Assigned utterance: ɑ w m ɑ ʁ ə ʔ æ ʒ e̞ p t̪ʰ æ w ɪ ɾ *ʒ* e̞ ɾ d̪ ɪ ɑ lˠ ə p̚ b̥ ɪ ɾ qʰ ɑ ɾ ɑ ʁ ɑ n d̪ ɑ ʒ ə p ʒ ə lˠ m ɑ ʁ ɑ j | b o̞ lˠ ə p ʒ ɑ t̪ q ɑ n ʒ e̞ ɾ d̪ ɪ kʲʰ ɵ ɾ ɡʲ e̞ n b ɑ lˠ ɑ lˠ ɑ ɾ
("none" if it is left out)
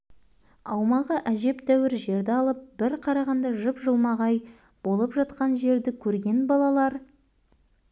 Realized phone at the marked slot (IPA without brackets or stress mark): ʒ